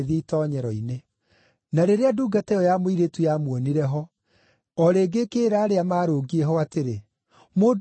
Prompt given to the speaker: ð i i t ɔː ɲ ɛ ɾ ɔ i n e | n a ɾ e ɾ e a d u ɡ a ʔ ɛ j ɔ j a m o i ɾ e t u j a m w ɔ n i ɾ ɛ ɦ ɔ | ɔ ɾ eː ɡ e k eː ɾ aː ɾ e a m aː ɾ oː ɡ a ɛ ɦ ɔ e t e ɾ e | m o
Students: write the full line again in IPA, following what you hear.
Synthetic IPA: ð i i t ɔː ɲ ɛ ɾ ɔ i n e | n a ɾ e ɾ e a d u ɡ a t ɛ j ɔ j a m o i ɾ e t u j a m w ɔ n i ɾ ɛ ɦ ɔ | ɔ ɾ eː ɡ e k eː ɾ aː ɾ e a m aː ɾ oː ɡ i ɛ ɦ ɔ a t e ɾ e | m o